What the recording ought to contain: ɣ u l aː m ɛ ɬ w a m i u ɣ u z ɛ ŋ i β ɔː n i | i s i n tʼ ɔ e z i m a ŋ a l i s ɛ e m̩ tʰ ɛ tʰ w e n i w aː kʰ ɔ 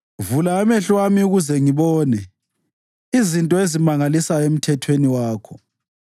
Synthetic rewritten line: v u l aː m ɛ ɬ w a m i u ɣ u z ɛ ŋ i β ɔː n ɛ | i z i n tʼ ɔ e z i m a ŋ a l i s a e m̩ tʰ ɛ tʰ w e n i w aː kʰ ɔ